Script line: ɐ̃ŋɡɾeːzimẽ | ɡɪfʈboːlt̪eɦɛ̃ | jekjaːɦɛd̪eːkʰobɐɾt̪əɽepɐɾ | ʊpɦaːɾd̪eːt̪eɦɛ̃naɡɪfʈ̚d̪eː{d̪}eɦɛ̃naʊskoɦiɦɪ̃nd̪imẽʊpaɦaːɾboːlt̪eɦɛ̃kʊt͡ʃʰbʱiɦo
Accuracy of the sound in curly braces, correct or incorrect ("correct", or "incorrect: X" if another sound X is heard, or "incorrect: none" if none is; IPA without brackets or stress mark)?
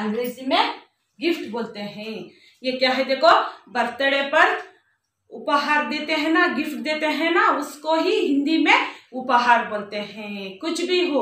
incorrect: t̪